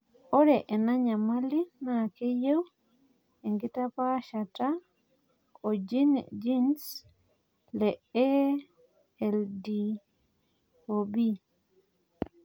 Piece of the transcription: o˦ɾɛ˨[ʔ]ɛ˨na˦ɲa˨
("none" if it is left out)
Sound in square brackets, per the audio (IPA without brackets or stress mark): ʔ